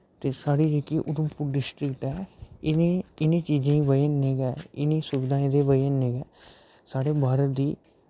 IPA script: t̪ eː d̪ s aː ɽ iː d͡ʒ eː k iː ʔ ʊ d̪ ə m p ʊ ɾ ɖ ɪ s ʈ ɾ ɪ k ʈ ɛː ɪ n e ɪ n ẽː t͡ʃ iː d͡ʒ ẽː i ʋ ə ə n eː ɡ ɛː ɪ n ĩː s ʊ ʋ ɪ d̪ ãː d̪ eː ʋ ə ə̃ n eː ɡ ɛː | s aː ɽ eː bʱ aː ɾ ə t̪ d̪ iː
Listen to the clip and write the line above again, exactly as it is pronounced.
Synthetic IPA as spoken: t̪ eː s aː ɽ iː d͡ʒ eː k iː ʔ ʊ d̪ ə m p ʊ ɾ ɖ ɪ s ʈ ɾ ɪ k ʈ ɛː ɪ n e ɪ n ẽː t͡ʃ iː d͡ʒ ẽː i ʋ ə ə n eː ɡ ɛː ɪ n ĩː s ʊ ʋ ɪ d̪ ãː d̪ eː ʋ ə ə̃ n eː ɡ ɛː | s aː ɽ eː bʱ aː ɾ ə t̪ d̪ iː